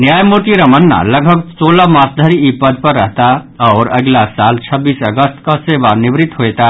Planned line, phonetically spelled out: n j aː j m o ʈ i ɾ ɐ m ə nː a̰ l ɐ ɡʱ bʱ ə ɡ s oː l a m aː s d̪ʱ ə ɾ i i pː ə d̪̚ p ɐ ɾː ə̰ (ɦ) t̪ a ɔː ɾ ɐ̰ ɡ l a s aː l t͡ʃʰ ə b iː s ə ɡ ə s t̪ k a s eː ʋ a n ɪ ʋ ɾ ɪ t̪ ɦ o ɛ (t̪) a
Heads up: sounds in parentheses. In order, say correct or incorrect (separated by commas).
correct, correct